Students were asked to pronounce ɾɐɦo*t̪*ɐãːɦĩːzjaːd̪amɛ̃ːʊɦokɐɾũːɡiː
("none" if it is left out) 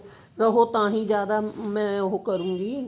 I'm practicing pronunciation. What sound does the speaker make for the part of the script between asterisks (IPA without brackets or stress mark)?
t̪